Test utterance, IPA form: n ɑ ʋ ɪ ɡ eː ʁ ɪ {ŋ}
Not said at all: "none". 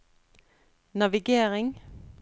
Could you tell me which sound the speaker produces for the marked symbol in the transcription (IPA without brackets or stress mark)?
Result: ŋ